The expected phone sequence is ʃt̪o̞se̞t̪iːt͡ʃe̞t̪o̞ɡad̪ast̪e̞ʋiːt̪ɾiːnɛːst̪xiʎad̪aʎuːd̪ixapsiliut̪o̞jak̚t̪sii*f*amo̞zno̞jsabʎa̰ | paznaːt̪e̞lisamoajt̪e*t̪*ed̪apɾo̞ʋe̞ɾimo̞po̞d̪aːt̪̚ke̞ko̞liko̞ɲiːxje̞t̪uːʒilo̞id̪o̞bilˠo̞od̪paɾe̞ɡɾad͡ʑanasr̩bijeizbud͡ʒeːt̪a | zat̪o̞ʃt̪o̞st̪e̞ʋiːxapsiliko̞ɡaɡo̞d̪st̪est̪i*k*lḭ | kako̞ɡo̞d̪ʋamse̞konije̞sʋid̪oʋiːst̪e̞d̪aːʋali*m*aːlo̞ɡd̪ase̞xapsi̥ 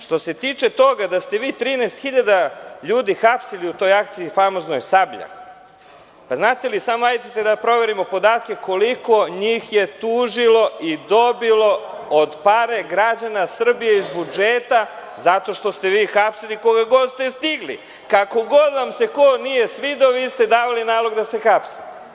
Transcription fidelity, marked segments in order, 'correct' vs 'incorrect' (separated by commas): correct, correct, incorrect, incorrect